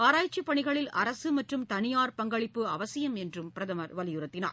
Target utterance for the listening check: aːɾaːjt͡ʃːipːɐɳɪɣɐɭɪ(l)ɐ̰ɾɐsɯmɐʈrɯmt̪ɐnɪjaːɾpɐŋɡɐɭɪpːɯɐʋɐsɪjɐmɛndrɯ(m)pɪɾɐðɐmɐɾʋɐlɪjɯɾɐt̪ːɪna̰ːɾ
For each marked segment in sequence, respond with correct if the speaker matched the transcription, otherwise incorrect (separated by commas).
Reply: correct, correct